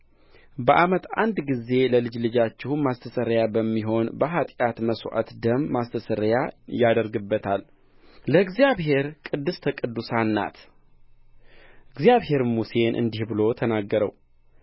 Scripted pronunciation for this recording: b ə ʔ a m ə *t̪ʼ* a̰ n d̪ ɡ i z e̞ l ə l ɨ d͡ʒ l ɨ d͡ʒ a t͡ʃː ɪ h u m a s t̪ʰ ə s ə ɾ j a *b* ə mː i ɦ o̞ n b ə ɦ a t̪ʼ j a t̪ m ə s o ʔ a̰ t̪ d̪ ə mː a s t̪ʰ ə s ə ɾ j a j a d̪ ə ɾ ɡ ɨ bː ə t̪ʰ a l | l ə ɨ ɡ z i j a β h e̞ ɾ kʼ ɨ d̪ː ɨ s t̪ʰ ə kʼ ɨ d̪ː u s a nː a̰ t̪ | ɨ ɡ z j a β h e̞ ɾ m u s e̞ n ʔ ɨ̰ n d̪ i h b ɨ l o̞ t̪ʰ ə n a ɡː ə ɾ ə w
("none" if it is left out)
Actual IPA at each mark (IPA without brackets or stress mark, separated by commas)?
t̪, b